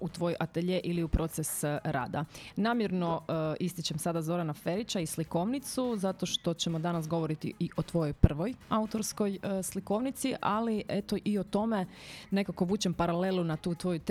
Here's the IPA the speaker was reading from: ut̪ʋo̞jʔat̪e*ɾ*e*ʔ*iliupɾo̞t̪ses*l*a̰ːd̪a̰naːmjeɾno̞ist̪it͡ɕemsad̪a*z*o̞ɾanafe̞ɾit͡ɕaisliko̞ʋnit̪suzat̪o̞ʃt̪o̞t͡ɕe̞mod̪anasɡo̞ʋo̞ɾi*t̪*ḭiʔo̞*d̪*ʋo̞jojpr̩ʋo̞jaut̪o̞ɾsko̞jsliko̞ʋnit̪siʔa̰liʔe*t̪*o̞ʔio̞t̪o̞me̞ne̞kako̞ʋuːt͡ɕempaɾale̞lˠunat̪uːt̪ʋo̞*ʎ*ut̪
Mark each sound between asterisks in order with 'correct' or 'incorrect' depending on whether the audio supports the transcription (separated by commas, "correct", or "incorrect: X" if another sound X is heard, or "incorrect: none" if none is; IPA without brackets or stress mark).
incorrect: ʎ, correct, incorrect: ɾ, correct, correct, incorrect: t̪, correct, incorrect: j